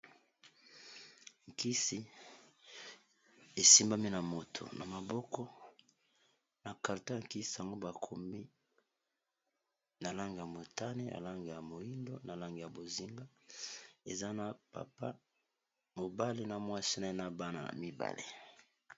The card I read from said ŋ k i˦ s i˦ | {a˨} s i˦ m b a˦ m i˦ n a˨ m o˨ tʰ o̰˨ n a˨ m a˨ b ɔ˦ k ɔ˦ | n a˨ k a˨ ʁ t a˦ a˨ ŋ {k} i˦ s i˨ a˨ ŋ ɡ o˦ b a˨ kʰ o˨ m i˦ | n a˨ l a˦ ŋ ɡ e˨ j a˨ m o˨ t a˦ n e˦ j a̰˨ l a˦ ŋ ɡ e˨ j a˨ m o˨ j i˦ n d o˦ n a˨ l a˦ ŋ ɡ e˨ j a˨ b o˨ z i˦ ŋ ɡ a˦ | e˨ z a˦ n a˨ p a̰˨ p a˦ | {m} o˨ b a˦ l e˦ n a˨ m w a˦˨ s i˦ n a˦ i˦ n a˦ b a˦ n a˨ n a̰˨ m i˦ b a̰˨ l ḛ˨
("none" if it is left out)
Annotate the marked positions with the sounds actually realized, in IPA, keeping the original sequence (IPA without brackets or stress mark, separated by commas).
e˨, k, m